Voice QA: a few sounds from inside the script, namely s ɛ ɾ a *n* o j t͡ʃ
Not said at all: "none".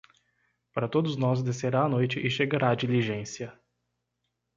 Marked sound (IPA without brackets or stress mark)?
n